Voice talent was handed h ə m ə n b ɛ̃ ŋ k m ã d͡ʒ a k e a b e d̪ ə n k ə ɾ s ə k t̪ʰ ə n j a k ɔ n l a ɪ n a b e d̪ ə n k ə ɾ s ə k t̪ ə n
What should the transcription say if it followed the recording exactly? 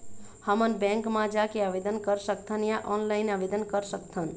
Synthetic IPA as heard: h ə m ə n b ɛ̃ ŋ k m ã d͡ʒ a k e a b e d̪ ə n k ə ɾ s ə k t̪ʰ ə n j a ʔ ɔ n l a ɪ n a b e d̪ ə n k ə ɾ s ə k t̪ʰ ə n